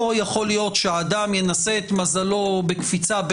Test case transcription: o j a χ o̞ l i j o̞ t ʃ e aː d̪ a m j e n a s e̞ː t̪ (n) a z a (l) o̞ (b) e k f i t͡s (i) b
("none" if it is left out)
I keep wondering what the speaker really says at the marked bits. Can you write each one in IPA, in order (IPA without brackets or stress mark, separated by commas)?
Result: m, l, b, a